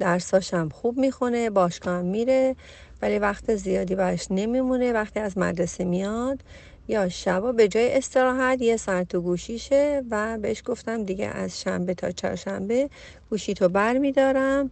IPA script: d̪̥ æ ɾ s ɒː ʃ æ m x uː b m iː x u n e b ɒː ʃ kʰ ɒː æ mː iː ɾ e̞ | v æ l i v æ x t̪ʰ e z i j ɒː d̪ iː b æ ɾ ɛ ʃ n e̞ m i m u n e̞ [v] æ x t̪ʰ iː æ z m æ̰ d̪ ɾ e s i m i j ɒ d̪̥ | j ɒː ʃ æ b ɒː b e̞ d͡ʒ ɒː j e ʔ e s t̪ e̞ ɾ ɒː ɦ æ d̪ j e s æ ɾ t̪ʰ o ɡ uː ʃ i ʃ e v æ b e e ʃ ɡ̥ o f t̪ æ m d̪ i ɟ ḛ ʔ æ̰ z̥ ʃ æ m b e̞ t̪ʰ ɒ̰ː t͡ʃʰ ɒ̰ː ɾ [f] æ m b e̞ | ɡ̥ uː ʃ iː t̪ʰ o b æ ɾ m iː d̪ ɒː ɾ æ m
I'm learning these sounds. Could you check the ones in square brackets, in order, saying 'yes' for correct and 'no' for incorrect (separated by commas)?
yes, no